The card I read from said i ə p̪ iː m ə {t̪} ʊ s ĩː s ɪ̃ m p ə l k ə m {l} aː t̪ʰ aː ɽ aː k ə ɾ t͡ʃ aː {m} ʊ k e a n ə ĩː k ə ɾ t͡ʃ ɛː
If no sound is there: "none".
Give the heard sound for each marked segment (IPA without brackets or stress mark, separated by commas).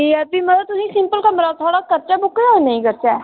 t̪, ɾ, b